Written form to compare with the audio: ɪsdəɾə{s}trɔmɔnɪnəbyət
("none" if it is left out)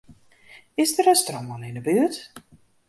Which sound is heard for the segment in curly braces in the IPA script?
s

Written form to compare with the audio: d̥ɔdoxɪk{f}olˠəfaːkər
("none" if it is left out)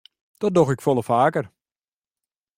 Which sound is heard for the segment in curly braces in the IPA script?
f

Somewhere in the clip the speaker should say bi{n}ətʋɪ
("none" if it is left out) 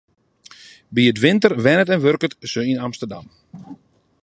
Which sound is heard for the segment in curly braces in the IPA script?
none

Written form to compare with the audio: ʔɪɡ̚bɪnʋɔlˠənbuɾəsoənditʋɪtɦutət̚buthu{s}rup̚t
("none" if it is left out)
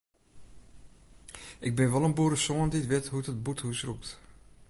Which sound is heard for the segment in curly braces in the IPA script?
s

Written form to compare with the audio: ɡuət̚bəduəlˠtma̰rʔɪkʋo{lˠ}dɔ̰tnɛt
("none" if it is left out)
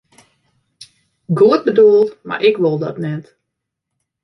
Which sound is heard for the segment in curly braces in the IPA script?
lˠ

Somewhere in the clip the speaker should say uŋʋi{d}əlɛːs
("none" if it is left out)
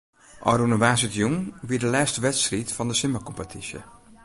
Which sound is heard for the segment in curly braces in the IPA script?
d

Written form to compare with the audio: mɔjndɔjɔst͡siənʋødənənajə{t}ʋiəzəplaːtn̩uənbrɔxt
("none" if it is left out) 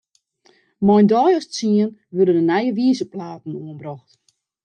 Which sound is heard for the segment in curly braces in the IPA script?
none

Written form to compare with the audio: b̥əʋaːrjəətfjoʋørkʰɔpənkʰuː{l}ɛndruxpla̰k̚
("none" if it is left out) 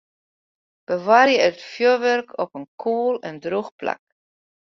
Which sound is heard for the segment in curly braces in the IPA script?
l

